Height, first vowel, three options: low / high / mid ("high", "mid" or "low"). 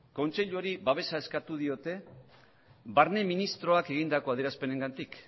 mid